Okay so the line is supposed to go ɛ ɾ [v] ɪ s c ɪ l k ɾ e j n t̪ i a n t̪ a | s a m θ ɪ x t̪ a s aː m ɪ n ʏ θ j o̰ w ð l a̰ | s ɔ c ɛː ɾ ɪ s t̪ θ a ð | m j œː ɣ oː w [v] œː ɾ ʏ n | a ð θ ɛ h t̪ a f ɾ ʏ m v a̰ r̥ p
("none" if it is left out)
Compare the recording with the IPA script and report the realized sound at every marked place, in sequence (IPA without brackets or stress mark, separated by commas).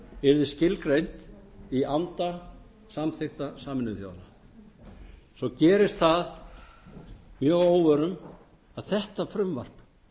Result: ð, v